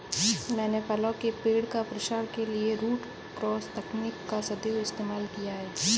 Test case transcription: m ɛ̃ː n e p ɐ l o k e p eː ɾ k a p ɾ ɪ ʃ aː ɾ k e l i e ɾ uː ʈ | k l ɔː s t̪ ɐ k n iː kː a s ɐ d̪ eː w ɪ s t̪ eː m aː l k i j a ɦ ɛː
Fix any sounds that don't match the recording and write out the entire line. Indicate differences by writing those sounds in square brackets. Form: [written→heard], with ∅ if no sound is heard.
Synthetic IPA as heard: m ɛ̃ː n e p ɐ l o k e p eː [ɾ→ɽ] k a p ɾ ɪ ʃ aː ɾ k e l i e ɾ uː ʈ | k [l→ɾ] ɔː s t̪ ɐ k n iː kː a s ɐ d̪ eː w ɪ s t̪ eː m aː l k i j a ɦ ɛː

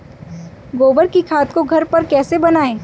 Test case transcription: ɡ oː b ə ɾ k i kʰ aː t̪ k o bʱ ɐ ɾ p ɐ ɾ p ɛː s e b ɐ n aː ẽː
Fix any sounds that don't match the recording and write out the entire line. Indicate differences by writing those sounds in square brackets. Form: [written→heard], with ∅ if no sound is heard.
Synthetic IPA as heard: ɡ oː b ə ɾ k i kʰ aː t̪ k o [bʱ→ɡʱ] ɐ ɾ p ɐ ɾ [p→k] ɛː s e b ɐ n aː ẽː

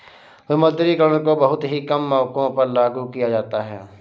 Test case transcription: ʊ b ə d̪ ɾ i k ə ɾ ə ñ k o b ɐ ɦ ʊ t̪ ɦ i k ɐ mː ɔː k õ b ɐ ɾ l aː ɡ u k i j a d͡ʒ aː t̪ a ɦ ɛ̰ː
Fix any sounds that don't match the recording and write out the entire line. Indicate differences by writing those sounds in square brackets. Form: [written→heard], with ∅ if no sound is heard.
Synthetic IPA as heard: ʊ [b→m] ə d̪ ɾ i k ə ɾ ə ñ k o b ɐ ɦ ʊ t̪ ɦ i k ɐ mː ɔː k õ [b→p] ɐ ɾ l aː ɡ u k i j a d͡ʒ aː t̪ a ɦ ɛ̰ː

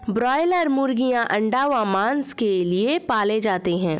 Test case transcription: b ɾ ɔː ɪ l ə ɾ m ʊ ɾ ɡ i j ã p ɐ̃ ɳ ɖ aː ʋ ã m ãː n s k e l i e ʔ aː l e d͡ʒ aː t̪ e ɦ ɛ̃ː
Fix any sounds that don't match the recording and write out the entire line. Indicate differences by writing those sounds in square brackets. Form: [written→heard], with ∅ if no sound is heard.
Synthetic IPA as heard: b ɾ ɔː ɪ l ə ɾ m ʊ ɾ ɡ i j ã [p→ʔ] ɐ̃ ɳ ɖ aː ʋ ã m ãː n s k e l i e [ʔ→p] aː l e d͡ʒ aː t̪ e ɦ ɛ̃ː

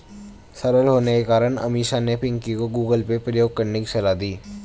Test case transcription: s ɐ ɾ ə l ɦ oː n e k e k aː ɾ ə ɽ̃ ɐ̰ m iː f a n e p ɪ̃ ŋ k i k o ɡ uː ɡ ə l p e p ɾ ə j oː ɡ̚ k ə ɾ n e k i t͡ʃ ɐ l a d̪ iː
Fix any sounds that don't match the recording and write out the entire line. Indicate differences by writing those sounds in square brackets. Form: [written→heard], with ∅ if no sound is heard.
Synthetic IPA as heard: s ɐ ɾ ə l ɦ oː n e k e k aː ɾ ə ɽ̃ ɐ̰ m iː [f→ʃ] a n e p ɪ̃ ŋ k i k o ɡ uː ɡ ə l p e p ɾ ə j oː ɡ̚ k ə ɾ n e k i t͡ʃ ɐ l a d̪ iː

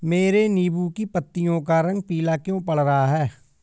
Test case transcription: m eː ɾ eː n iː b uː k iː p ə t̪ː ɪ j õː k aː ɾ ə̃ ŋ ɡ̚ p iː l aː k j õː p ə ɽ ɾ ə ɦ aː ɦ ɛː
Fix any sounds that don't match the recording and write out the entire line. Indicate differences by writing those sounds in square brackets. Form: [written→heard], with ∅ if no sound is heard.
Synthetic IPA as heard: m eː ɾ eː n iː b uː k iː p ə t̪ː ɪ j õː k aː ɾ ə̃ ŋ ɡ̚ p iː l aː k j õː p ə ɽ ɾ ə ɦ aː ɦ ɛː

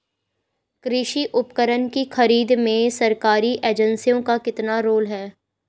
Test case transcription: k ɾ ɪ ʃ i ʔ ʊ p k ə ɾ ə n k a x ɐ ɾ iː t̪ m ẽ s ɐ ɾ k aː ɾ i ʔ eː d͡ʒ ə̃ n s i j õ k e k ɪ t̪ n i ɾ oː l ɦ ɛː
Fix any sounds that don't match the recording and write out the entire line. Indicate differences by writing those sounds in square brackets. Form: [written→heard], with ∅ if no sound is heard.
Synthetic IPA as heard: k ɾ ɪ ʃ i ʔ ʊ p k ə ɾ ə n k [a→i] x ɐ ɾ iː [t̪→d̪] m ẽ s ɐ ɾ k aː ɾ i ʔ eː d͡ʒ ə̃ n s i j õ k [e→a] k ɪ t̪ n [i→a] ɾ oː l ɦ ɛː

